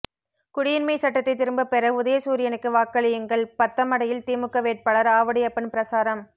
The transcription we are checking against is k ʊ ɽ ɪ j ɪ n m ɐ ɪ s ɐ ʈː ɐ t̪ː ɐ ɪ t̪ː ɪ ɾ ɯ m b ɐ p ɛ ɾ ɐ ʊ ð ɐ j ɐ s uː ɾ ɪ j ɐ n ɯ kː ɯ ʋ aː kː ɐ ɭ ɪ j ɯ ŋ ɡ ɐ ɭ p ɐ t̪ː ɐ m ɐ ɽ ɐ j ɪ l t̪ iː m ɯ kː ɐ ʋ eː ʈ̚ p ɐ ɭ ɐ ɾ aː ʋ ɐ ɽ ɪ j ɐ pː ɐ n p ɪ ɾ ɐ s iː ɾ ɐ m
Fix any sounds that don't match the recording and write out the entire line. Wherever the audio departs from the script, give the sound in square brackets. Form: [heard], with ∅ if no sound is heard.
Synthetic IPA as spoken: k ʊ ɽ ɪ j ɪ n m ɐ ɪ s ɐ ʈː ɐ t̪ː ɐ ɪ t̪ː ɪ ɾ ɯ m b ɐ p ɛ ɾ ɐ ʊ ð ɐ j ɐ s uː ɾ ɪ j ɐ n ɯ kː ɯ ʋ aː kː ɐ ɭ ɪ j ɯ ŋ ɡ ɐ ɭ p ɐ t̪ː ɐ m ɐ ɽ ɐ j ɪ l t̪ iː m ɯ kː ɐ ʋ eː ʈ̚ p ɐ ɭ ɐ ɾ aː ʋ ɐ ɽ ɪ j ɐ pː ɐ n p ɪ ɾ ɐ s [aː] ɾ ɐ m